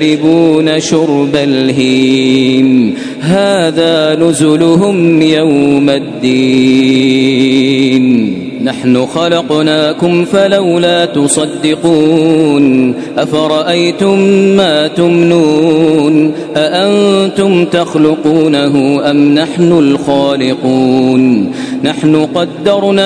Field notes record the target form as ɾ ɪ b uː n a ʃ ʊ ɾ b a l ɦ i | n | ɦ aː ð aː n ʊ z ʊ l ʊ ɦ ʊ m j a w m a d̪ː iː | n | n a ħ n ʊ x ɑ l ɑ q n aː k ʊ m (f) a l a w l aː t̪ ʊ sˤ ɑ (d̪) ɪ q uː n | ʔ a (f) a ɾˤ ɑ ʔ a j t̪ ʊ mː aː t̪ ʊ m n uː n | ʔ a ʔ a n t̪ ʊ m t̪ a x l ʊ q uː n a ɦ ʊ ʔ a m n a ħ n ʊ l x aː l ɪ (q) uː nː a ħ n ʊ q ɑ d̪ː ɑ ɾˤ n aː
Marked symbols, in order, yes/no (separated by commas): yes, no, yes, yes